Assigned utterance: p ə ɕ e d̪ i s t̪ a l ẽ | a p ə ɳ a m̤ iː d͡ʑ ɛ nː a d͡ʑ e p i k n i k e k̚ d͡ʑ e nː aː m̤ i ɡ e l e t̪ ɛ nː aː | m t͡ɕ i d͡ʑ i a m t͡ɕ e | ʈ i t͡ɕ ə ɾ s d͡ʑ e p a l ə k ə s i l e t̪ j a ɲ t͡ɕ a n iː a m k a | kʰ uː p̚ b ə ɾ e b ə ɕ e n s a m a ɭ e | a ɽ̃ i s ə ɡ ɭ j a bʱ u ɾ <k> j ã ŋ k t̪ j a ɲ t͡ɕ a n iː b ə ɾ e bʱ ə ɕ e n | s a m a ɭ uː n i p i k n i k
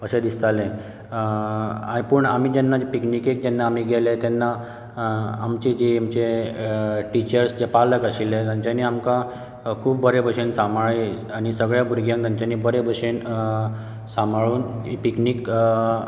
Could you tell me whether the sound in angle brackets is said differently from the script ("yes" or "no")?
yes